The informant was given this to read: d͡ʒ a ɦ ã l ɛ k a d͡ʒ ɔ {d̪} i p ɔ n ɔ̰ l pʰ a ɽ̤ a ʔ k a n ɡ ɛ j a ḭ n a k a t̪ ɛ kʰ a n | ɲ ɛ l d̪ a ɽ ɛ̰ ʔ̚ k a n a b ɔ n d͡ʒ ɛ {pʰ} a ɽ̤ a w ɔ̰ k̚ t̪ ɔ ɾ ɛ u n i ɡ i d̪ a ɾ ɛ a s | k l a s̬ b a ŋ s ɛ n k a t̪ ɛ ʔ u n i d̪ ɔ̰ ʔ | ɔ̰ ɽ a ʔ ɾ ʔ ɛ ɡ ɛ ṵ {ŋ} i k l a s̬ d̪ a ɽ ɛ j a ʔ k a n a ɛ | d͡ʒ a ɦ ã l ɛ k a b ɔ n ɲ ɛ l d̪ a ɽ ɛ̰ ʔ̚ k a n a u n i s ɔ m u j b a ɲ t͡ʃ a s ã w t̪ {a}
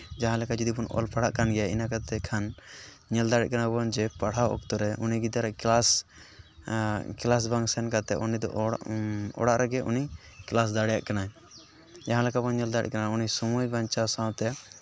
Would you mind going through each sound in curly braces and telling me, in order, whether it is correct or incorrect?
correct, incorrect: p, incorrect: n, incorrect: ɛ

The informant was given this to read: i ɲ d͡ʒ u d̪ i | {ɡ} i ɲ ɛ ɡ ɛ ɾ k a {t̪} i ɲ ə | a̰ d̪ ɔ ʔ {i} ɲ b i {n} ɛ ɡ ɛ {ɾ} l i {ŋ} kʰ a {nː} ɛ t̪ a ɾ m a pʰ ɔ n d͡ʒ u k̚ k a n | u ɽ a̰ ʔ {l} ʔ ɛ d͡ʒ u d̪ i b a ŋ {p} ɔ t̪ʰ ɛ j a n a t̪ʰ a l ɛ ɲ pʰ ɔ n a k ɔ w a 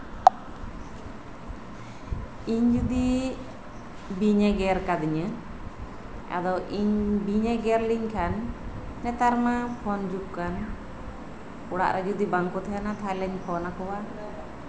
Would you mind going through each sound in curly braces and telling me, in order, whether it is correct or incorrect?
incorrect: b, incorrect: d̪, correct, incorrect: ɲ, correct, incorrect: ɲ, correct, incorrect: ɾ, incorrect: k

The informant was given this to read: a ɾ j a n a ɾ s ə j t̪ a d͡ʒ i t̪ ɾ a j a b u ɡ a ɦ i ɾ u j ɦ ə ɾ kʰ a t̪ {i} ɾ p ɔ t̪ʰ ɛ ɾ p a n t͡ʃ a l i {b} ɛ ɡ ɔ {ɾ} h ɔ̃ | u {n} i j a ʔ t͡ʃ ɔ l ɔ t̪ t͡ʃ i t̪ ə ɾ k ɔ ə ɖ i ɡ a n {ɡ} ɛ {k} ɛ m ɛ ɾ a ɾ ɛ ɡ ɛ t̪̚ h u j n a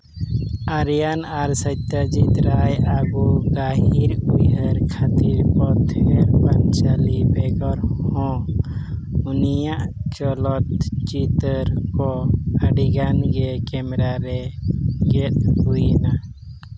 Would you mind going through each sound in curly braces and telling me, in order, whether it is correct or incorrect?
correct, correct, correct, correct, correct, correct

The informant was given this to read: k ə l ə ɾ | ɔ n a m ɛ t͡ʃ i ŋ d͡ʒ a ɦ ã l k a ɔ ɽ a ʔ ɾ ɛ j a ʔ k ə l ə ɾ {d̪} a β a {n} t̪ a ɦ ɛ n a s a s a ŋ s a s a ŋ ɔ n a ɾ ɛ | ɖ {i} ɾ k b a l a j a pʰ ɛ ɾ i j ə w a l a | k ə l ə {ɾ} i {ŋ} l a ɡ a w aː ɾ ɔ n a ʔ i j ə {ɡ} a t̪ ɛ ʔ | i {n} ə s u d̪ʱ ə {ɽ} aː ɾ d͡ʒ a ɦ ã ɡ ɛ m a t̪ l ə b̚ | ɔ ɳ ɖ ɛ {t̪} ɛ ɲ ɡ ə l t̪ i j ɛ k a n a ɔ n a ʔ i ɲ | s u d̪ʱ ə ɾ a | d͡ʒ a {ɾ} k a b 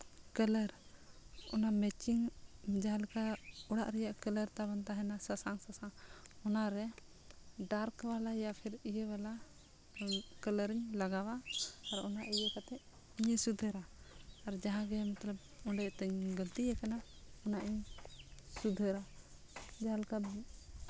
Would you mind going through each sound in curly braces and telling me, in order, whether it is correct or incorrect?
incorrect: t̪, correct, incorrect: a, correct, incorrect: ɲ, incorrect: k, incorrect: ɲ, incorrect: ɾ, correct, incorrect: l

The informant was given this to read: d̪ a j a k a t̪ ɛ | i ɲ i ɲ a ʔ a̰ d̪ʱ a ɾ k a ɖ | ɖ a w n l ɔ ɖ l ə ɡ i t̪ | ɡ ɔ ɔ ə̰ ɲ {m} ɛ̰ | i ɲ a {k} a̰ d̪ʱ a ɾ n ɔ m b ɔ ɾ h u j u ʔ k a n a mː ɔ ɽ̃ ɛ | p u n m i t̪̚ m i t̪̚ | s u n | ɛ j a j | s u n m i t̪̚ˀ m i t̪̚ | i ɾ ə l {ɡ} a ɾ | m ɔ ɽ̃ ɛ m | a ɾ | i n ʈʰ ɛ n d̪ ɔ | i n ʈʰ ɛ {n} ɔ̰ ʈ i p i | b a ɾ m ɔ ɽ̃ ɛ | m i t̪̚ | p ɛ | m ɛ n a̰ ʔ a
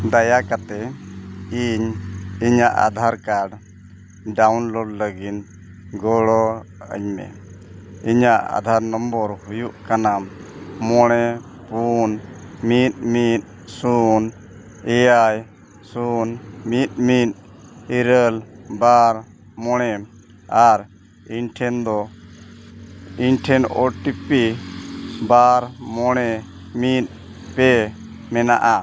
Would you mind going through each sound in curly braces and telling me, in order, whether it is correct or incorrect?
correct, incorrect: ʔ, incorrect: b, correct

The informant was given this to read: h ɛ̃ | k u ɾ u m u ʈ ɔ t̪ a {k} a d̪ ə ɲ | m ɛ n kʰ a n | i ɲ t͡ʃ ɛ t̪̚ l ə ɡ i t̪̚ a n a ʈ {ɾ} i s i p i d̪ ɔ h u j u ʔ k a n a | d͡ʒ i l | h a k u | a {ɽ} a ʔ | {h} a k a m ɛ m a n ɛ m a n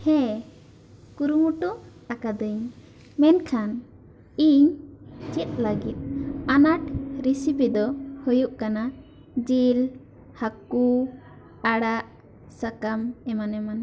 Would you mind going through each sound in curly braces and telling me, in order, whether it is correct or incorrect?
correct, correct, correct, incorrect: s

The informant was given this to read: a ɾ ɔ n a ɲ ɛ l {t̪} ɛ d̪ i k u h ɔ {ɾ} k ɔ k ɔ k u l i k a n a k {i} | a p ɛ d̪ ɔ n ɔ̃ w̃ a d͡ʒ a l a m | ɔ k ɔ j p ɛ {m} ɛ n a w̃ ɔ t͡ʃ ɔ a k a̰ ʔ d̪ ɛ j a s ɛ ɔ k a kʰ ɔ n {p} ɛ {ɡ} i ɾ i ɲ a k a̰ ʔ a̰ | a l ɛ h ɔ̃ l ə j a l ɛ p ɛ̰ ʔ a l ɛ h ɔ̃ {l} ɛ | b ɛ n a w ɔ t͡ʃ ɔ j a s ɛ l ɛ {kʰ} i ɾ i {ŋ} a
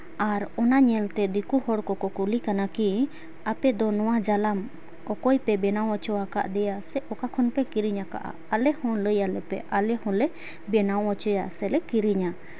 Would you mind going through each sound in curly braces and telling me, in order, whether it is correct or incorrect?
correct, incorrect: ɽ, correct, incorrect: b, correct, incorrect: k, correct, incorrect: k, incorrect: ɲ

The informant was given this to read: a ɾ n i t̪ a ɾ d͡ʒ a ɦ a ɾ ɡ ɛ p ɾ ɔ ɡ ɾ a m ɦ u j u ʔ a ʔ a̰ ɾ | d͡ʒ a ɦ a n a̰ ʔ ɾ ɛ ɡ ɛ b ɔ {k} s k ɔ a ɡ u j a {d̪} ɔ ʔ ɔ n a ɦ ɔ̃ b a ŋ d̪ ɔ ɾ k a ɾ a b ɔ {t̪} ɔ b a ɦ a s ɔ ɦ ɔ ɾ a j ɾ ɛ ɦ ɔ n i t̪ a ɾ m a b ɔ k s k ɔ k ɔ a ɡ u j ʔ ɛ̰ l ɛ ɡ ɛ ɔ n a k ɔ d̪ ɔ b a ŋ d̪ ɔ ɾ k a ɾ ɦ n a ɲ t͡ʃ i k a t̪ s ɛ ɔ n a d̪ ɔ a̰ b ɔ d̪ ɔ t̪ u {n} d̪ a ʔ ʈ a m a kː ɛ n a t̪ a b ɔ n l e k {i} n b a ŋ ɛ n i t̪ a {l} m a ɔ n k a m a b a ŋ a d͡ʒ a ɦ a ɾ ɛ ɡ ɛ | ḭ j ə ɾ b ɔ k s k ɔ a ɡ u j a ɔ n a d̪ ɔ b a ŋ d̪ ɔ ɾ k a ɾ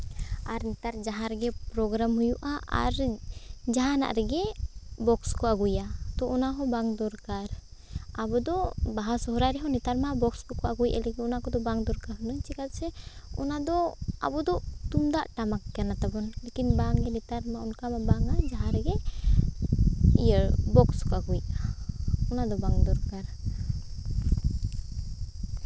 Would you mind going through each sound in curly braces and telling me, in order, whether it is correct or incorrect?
correct, incorrect: t̪, incorrect: d̪, incorrect: m, correct, incorrect: ɾ

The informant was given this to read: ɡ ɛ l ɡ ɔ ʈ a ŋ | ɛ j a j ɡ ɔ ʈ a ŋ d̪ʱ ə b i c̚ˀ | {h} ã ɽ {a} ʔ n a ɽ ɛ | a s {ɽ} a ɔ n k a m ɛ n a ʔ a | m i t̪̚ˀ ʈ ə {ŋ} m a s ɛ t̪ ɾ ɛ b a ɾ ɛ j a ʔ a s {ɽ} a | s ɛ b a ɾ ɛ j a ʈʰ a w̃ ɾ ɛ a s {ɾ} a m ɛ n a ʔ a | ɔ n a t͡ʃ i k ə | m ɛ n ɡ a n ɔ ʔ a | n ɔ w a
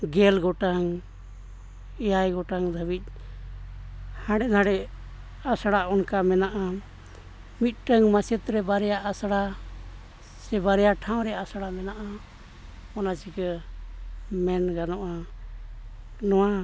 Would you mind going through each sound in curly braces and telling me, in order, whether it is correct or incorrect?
correct, incorrect: ɛ, correct, correct, correct, incorrect: ɽ

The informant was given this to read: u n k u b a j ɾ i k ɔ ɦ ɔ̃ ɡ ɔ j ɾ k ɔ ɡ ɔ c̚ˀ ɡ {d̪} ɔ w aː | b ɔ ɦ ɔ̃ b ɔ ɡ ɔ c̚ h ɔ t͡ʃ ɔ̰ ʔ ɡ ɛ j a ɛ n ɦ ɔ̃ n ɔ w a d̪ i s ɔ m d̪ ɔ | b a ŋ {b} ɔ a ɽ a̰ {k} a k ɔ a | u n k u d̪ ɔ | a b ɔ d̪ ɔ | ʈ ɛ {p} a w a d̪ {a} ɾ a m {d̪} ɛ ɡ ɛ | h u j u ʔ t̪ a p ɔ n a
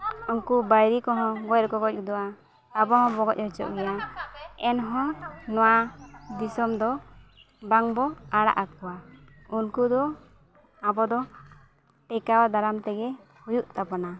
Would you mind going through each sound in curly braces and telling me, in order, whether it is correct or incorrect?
correct, correct, incorrect: ʔ, incorrect: k, correct, incorrect: t̪

